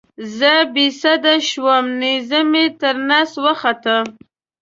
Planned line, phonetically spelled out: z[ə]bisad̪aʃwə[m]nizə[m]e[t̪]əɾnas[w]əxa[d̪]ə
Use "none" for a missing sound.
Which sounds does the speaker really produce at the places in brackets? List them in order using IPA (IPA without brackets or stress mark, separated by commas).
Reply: ə, m, m, t̪, w, t̪